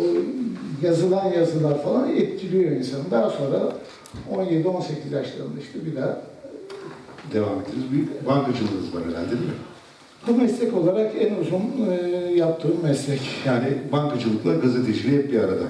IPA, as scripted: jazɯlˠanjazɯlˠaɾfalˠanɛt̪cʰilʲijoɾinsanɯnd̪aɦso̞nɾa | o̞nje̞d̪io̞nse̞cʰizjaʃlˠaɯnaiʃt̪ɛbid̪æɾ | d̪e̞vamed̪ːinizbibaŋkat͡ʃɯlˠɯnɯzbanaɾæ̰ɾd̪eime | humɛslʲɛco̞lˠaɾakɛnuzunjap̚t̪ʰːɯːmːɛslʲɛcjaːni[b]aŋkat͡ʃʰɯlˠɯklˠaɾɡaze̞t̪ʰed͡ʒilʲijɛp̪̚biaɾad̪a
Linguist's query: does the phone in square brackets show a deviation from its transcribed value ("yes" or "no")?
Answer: no